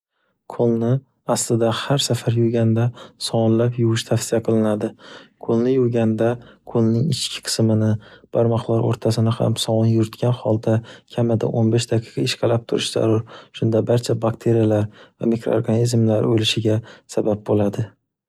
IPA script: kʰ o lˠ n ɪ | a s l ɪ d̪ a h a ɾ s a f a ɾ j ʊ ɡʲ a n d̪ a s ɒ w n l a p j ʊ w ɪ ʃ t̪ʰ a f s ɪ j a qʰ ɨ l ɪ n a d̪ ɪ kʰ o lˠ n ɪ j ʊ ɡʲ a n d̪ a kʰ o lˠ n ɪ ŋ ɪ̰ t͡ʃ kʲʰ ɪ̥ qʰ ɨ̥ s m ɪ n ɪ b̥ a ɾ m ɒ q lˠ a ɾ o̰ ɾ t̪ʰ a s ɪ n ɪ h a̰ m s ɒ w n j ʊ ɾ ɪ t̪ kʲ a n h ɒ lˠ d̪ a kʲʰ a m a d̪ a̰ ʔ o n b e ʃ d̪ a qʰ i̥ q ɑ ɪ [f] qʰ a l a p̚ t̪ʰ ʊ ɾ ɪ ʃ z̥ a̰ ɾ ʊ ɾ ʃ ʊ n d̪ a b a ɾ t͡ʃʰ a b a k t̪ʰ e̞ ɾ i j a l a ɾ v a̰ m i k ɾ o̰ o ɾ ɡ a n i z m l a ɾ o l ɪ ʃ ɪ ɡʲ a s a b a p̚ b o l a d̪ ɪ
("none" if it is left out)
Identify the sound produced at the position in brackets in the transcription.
ʃ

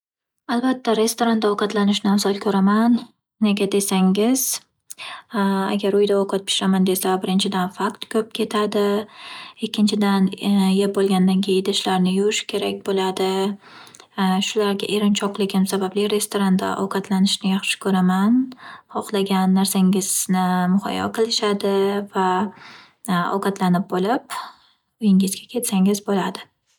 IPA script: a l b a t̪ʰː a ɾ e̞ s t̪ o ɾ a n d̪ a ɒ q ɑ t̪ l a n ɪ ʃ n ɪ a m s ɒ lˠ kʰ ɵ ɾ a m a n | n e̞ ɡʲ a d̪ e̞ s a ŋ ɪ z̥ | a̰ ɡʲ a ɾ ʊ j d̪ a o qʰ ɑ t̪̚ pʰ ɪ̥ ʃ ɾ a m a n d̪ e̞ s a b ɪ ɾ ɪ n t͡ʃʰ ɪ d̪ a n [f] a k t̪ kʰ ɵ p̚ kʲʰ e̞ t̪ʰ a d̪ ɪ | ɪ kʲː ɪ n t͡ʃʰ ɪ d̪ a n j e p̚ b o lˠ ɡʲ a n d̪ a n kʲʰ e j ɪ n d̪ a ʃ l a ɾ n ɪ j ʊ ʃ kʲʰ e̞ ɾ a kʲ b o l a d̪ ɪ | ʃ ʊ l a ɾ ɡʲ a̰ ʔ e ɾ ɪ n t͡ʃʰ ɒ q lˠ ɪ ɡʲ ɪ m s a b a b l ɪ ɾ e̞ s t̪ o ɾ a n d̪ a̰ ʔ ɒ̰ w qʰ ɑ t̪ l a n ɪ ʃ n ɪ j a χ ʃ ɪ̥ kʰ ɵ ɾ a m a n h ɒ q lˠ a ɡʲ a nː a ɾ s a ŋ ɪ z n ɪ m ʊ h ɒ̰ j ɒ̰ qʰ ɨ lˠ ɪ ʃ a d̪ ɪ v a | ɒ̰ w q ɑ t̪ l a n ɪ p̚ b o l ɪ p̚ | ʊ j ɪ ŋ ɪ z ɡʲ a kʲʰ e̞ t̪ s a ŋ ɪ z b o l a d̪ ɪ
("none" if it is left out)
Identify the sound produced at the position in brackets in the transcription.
f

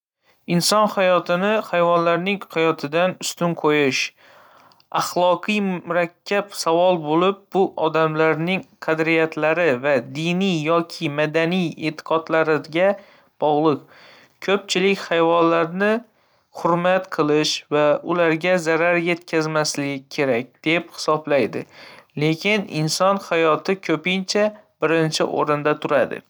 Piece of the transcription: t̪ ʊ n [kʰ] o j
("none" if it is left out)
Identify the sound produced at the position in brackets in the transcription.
qʰ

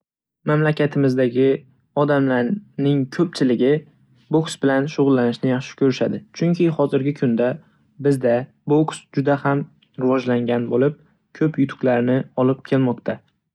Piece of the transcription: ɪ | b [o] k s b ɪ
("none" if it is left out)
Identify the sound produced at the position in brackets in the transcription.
o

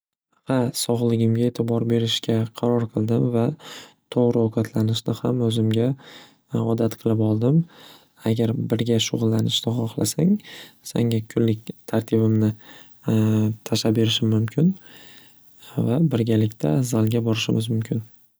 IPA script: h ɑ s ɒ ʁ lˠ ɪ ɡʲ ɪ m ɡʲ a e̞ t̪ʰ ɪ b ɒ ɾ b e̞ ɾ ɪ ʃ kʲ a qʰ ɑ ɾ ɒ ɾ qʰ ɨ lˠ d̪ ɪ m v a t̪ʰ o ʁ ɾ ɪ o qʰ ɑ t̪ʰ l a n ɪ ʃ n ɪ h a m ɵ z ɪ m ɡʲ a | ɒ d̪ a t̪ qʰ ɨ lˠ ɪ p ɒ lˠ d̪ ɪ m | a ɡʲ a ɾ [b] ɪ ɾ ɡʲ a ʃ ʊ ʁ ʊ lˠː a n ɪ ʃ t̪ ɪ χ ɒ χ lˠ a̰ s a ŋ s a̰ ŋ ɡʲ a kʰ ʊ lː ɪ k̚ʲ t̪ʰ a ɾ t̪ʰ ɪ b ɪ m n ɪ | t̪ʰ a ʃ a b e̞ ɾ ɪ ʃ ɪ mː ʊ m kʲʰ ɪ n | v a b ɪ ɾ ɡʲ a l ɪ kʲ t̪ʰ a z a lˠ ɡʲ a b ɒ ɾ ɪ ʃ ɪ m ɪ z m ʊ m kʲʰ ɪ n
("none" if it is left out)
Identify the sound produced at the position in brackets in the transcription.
b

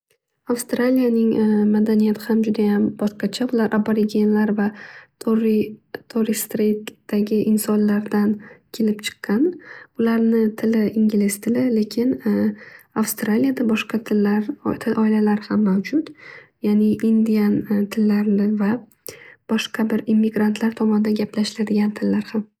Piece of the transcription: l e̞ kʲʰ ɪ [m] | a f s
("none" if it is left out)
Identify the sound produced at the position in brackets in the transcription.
n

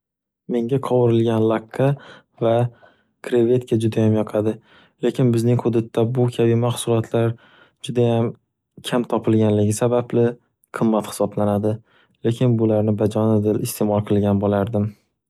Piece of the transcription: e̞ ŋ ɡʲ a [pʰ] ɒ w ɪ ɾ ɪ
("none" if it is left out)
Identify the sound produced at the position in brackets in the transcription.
qʰ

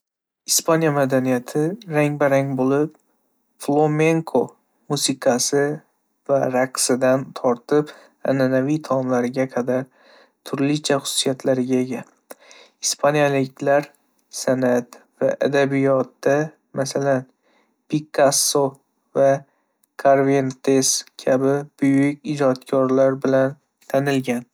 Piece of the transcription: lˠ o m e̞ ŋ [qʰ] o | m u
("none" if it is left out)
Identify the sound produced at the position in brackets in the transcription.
kʰ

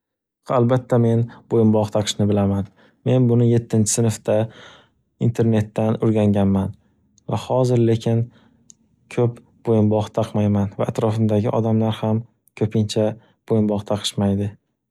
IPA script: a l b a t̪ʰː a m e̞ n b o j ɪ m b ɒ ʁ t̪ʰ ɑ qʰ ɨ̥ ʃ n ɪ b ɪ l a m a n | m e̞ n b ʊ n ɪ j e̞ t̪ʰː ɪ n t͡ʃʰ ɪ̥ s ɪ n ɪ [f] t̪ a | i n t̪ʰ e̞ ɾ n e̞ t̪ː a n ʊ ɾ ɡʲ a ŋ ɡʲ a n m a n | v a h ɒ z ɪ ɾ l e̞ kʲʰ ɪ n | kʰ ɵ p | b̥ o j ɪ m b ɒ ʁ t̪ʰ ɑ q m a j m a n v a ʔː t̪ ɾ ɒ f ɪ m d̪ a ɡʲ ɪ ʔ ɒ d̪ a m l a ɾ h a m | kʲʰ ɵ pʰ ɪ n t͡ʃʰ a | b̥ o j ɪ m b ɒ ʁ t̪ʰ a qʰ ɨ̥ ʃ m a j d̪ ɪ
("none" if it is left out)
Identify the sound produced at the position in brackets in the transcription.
f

